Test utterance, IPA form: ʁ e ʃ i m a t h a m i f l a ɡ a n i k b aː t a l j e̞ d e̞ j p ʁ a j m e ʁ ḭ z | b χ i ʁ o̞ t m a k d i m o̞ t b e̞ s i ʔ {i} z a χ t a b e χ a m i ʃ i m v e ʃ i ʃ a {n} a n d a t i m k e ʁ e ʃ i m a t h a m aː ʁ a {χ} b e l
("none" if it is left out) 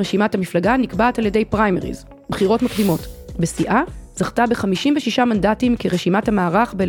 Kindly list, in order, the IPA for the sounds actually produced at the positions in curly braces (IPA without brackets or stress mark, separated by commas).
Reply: a, m, χ